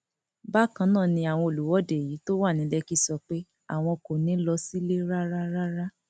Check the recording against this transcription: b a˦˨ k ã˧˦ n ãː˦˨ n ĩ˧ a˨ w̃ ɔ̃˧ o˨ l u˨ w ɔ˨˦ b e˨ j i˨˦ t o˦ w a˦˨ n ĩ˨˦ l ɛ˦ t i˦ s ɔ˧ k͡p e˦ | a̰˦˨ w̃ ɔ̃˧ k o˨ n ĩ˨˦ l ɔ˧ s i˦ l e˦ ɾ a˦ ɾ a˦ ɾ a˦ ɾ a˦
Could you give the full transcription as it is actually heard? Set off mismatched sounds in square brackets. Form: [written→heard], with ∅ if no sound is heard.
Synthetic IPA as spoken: b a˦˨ k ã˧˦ n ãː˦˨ n ĩ˧ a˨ w̃ ɔ̃˧ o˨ l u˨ w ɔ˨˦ [b→d] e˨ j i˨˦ t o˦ w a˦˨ n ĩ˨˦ l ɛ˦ [t→k] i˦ s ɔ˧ k͡p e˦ | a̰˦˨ w̃ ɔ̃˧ k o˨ n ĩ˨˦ l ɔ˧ s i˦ l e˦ ɾ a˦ ɾ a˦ ɾ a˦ ɾ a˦